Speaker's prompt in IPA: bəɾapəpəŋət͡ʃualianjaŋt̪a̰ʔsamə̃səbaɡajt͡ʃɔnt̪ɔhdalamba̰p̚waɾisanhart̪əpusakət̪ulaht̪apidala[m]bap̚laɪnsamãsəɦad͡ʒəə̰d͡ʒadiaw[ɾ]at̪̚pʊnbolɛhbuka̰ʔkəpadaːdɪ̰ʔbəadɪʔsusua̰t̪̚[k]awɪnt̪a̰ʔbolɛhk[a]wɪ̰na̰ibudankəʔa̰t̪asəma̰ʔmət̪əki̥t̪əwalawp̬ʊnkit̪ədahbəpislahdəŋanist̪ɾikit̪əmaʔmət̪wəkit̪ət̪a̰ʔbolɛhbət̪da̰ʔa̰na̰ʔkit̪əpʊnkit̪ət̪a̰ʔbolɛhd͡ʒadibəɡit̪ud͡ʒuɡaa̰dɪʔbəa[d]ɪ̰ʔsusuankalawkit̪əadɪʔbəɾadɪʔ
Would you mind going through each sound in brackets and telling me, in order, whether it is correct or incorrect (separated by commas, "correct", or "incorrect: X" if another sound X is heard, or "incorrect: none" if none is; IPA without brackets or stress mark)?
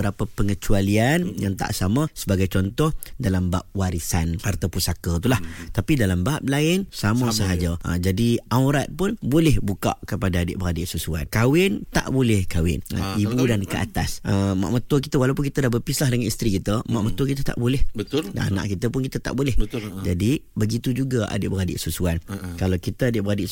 correct, correct, correct, correct, correct